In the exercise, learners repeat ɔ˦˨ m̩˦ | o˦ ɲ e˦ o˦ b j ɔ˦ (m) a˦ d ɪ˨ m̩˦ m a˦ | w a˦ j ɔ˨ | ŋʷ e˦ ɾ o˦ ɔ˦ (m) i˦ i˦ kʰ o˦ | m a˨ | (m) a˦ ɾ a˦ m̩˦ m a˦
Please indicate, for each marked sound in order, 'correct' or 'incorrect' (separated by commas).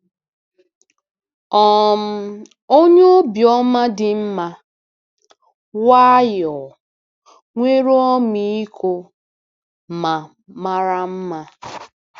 correct, correct, correct